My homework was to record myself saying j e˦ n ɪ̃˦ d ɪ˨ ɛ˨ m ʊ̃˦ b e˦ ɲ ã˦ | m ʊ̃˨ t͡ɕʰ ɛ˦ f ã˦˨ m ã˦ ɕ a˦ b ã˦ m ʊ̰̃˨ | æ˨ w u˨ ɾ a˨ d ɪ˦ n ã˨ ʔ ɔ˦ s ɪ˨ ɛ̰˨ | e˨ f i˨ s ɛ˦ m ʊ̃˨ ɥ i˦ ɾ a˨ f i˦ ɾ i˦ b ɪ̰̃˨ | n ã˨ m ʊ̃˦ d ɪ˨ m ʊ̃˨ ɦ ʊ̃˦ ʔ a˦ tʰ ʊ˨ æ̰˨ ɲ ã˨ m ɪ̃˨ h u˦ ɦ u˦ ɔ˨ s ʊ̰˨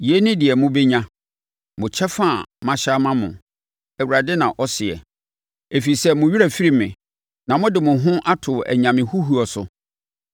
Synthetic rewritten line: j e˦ n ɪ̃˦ d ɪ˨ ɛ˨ m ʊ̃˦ b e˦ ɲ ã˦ | m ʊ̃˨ t͡ɕʰ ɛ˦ f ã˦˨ m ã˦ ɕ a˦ m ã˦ m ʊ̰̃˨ | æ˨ w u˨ ɾ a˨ d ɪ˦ n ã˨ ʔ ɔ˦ s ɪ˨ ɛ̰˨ | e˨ f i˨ s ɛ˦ m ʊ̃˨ ɥ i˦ ɾ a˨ f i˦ ɾ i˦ m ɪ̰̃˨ | n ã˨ m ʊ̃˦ d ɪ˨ m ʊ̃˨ ɦ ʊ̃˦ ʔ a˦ tʰ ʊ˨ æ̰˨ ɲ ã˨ m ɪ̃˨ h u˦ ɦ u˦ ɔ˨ s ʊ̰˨